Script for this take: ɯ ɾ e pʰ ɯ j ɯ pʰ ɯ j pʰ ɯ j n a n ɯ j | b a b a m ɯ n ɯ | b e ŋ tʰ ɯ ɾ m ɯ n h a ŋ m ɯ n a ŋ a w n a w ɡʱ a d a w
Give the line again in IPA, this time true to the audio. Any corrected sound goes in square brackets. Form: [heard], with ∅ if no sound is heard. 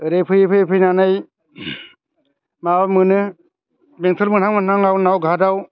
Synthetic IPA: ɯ ɾ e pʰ ɯ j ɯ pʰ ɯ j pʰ ɯ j n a n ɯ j | [m] a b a m ɯ n ɯ | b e ŋ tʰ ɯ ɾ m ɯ n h a ŋ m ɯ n a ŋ a w n a w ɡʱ a d a w